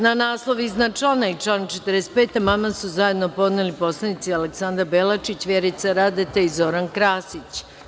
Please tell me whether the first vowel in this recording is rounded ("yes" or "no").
no